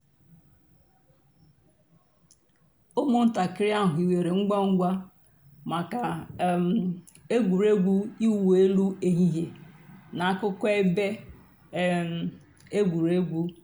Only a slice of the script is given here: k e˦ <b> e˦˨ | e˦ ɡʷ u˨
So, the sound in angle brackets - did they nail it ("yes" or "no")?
yes